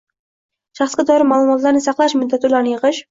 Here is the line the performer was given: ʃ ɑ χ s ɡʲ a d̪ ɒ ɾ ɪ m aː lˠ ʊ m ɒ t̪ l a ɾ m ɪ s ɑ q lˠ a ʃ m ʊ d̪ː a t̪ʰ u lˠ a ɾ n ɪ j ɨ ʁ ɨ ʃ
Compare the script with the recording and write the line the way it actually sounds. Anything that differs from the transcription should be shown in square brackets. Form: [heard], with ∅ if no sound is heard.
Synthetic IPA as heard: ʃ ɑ χ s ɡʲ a d̪ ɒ ɾ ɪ m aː lˠ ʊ m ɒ t̪ l a ɾ [n] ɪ s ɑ q lˠ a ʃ m ʊ d̪ː a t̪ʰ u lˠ a ɾ n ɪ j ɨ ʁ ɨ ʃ